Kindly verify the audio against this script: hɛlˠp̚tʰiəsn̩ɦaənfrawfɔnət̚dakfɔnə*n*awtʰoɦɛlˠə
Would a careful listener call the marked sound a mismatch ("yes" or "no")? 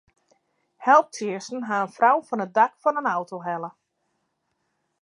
no